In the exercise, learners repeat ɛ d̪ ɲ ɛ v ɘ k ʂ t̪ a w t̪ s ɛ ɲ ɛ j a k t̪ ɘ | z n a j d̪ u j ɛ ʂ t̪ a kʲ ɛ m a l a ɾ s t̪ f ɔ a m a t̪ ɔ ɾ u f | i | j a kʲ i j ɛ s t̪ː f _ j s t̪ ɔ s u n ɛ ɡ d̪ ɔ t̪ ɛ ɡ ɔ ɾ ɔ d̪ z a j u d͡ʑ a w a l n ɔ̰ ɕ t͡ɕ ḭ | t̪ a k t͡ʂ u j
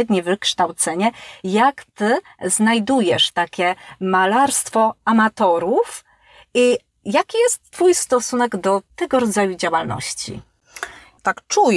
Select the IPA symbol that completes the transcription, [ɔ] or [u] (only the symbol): u